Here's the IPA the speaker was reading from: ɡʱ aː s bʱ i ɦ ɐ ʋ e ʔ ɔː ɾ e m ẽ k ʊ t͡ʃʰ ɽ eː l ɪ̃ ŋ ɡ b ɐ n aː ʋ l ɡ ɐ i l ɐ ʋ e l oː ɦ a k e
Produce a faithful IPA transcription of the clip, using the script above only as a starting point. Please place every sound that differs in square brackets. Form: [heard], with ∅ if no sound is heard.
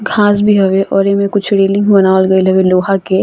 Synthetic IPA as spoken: ɡʱ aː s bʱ i ɦ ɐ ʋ e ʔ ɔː ɾ e m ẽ k ʊ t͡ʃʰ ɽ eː l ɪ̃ ŋ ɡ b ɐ n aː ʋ l ɡ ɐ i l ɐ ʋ e l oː ɦ a k e